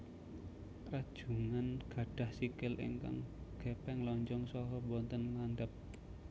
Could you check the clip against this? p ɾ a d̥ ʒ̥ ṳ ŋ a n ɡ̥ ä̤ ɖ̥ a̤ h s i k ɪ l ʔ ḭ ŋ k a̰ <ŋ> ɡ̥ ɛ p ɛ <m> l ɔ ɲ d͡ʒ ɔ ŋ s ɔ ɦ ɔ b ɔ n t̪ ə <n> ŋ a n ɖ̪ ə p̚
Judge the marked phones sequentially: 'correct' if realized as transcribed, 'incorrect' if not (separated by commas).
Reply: correct, incorrect, correct